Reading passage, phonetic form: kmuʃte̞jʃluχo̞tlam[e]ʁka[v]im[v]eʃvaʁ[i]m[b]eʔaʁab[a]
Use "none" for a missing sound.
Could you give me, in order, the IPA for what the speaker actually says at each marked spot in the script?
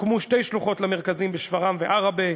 e, z, b, a, v, e

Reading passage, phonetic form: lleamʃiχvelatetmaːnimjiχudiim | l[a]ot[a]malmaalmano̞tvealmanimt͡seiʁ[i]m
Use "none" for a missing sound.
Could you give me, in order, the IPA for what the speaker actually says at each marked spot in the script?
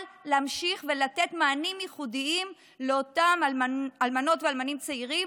e, a, i

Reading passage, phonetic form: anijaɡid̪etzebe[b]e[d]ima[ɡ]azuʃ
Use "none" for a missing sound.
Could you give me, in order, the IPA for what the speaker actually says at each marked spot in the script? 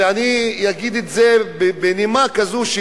b, n, k

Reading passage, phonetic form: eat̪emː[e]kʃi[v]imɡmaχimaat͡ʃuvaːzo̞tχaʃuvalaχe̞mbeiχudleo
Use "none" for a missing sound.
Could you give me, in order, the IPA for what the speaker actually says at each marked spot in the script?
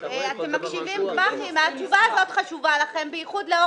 a, v

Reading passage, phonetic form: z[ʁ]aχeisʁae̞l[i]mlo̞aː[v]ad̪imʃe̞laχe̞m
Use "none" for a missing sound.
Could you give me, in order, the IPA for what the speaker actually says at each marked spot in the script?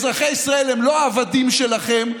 ʁ, e, v

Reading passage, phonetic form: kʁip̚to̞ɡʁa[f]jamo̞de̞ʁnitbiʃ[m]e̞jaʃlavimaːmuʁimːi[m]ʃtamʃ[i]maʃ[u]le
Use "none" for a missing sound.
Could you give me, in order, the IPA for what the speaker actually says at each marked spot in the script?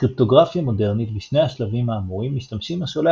f, n, none, i, o

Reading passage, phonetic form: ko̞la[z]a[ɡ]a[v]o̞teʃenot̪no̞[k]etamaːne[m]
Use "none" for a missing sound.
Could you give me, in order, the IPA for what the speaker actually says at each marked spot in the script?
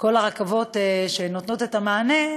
ʁ, k, v, t, none

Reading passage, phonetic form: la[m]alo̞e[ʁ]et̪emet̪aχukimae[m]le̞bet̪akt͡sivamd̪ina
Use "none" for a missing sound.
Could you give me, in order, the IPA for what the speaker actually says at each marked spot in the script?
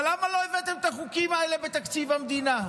m, v, none

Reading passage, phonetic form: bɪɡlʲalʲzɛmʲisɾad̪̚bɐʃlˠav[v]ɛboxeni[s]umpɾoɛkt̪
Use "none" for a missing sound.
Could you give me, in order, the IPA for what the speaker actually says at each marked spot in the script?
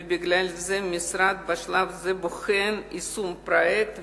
z, s

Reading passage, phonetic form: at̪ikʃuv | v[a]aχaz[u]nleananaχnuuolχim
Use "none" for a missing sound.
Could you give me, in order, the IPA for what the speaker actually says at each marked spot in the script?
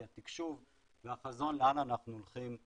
e, o

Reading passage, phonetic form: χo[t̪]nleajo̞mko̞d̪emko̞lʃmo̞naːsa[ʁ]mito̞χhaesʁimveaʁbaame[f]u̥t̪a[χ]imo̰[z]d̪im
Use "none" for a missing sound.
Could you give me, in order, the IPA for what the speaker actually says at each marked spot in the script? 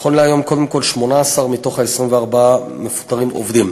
none, ʁ, f, ʁ, v

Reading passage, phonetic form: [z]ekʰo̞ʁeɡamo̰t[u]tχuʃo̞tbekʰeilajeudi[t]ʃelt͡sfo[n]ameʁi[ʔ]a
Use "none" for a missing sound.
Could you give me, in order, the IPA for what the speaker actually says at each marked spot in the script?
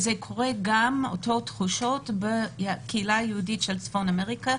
z, o, t, n, k

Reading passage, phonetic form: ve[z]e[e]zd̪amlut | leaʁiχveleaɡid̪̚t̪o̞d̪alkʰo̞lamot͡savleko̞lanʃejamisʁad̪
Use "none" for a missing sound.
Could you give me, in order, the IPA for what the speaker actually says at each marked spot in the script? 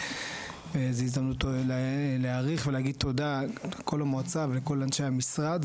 z, i

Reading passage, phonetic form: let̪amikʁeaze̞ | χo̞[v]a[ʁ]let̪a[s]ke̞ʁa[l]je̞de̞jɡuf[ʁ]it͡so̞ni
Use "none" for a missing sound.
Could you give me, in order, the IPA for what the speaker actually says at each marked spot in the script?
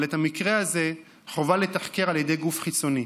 v, none, χ, l, χ

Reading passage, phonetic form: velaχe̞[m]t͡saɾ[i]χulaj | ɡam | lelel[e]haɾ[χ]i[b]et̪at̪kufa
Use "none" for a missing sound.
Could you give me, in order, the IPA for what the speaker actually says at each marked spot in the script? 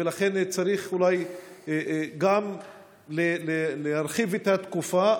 n, i, e, χ, v

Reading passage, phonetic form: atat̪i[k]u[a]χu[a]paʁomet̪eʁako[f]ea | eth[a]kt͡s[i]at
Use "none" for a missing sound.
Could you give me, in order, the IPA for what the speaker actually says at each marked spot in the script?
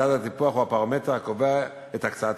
p, a, a, v, a, a

